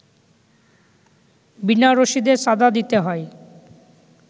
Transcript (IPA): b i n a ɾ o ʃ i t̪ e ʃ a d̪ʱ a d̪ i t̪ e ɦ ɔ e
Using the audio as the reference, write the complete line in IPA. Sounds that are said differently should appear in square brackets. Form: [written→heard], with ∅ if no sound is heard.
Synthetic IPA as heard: b i n a ɾ o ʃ i [t̪→d̪] e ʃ a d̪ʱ a d̪ i t̪ e ɦ ɔ e